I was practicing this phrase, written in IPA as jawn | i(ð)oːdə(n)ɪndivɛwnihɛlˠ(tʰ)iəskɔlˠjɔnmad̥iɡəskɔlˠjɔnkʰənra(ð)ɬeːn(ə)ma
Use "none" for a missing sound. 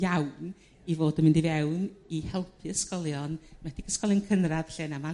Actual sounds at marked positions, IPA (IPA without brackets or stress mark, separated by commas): v, m, pʰ, ð, a